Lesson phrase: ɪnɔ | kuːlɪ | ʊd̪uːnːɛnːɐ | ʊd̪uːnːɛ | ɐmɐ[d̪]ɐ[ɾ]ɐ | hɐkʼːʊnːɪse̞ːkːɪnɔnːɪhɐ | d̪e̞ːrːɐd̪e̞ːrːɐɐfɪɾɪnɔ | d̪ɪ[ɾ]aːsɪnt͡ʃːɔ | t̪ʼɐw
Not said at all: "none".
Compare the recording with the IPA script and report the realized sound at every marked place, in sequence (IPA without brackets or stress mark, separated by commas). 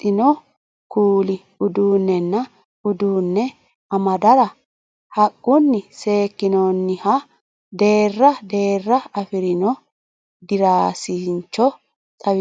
d̪, ɾ, ɾ